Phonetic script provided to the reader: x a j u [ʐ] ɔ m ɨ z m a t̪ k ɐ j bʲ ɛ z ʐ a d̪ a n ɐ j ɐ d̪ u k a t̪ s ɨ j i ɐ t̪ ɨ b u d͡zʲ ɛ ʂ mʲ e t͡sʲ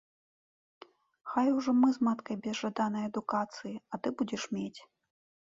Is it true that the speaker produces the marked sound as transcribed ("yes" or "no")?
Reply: yes